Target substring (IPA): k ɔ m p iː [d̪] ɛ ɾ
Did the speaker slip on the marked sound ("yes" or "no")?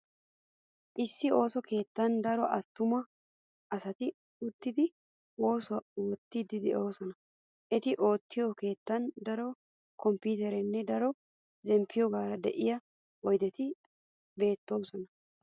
yes